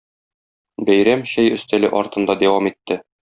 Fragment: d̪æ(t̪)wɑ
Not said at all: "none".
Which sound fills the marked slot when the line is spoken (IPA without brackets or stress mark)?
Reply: none